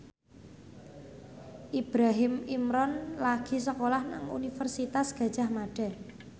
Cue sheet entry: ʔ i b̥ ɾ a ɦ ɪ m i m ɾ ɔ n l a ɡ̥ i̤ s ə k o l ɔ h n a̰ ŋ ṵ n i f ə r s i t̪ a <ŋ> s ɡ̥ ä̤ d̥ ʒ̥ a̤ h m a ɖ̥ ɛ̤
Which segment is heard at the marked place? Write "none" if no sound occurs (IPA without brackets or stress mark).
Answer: none